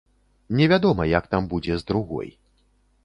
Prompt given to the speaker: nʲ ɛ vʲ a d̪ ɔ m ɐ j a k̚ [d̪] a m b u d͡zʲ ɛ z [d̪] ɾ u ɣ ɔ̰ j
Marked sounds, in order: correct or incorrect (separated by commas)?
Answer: incorrect, correct